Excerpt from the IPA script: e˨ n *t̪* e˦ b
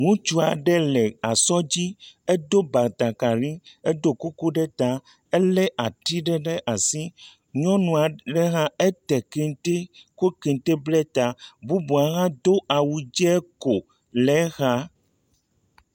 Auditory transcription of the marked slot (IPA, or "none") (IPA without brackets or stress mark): t̪